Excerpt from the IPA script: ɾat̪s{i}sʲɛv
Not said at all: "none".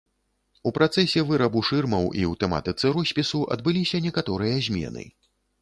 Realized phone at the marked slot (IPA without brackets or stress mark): ɛ